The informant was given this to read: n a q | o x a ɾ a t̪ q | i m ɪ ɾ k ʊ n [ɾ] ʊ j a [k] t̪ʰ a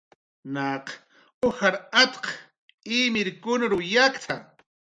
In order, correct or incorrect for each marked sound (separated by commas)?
correct, correct